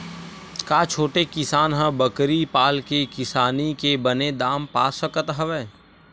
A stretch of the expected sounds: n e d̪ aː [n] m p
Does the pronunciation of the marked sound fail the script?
yes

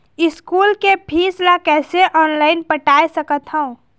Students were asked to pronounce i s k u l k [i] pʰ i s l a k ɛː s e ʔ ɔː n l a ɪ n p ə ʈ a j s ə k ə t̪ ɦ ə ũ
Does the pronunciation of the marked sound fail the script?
yes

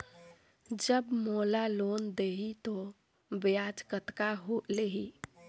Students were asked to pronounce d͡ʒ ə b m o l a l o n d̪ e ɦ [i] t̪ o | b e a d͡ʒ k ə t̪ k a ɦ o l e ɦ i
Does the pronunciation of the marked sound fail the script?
no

